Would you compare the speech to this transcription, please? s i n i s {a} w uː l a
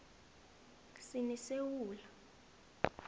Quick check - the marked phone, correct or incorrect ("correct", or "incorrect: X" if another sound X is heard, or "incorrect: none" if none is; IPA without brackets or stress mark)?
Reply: incorrect: e